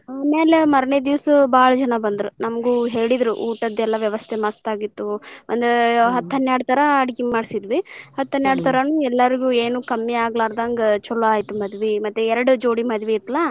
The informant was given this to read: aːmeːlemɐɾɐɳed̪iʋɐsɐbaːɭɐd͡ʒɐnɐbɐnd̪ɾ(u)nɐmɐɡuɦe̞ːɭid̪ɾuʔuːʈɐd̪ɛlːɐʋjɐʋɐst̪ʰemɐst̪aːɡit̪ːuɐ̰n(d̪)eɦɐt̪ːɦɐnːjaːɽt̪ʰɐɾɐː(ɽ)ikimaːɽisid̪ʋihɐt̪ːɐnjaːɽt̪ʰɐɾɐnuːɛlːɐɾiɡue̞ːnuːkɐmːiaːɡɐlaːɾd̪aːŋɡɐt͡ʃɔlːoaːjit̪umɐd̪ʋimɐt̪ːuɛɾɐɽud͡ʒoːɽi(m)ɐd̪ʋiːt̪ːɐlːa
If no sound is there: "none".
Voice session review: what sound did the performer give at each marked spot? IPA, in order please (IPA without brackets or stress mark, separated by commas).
u, d̪, ɽ, m